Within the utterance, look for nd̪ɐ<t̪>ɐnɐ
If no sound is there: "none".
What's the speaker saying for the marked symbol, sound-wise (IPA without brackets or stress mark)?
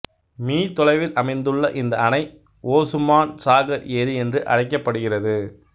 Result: none